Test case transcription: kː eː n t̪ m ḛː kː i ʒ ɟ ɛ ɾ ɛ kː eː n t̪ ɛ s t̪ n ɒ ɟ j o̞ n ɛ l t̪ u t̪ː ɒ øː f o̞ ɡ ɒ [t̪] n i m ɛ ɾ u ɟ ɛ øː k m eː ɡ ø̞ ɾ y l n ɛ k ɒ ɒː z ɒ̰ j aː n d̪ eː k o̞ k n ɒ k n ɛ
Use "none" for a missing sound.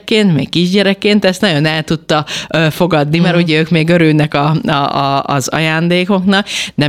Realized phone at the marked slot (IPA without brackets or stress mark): d̪